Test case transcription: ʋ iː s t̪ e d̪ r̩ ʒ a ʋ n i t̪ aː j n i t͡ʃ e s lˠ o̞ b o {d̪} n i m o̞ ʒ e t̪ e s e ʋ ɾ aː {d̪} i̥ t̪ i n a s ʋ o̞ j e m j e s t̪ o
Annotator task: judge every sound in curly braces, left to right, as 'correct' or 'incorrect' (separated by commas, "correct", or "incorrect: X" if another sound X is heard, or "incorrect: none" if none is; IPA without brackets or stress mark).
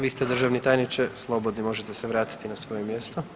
correct, incorrect: t̪